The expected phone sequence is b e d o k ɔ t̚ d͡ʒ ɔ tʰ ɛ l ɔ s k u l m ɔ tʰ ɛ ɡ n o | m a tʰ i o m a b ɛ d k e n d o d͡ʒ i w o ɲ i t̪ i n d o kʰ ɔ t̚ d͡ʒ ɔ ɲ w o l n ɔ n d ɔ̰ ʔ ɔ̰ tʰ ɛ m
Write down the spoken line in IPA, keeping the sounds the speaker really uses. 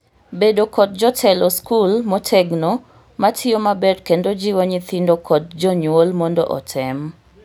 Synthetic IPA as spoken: b e d o k ɔ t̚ d͡ʒ ɔ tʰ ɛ l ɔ s k u l m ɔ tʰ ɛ ɡ n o | m a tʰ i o m a b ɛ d k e n d o d͡ʒ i w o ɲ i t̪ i n d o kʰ ɔ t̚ d͡ʒ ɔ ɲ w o l m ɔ n d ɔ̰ ʔ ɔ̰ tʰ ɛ m

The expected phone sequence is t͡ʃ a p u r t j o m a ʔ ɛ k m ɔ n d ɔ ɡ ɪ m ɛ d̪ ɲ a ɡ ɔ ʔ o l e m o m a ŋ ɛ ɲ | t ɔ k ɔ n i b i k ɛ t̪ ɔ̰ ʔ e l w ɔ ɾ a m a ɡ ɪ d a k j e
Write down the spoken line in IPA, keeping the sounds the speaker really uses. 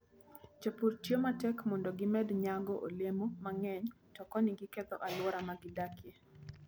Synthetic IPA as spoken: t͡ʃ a p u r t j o m a t ɛ k m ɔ n d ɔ ɡ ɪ m ɛ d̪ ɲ a ɡ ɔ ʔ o l e m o m a ŋ ɛ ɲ | t ɔ k ɔ n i ɡ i k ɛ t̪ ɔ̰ ʔ a l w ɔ ɾ a m a ɡ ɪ d a k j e

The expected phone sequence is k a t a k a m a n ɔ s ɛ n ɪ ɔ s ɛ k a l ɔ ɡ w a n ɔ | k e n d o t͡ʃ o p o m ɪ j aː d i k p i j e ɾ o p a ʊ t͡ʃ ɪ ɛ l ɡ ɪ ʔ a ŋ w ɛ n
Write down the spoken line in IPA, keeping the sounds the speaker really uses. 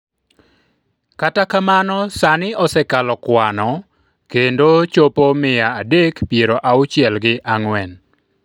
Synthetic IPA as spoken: k a t a k a m a n ɔ s a n ɪ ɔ s ɛ k a l ɔ k w a n ɔ | k e n d o t͡ʃ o p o m ɪ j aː d e k p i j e ɾ o ʔ a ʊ t͡ʃ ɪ ɛ l ɡ ɪ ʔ a ŋ w ɛ n

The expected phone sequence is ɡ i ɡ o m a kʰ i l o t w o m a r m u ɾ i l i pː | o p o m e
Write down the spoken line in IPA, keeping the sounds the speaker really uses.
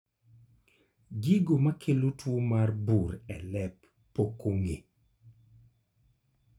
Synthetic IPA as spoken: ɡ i ɡ o m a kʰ e l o t w o m a r b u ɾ ɛ l ɛ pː | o k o ŋ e

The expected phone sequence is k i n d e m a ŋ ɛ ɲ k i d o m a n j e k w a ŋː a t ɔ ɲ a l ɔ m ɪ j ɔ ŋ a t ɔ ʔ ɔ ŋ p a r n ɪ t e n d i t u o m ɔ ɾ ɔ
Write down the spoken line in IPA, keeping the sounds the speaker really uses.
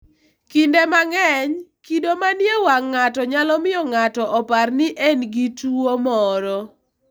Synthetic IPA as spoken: k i n d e m a ŋ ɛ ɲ k i d o m a n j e w a ŋː a t ɔ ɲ a l ɔ m ɪ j ɔ ŋ a t ɔ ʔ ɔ p a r n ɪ ʔ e n ɡ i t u o m ɔ ɾ ɔ

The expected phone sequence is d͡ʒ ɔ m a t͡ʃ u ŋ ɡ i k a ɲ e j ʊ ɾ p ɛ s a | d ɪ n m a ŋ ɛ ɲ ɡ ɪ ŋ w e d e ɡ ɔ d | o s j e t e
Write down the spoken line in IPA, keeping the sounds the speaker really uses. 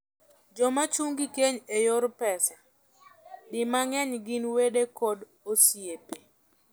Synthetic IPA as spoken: d͡ʒ ɔ m a t͡ʃ u ŋ ɡ i k e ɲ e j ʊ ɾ p ɛ s a | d ɪ m a ŋ ɛ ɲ ɡ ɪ n w e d e k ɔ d | o s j e p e

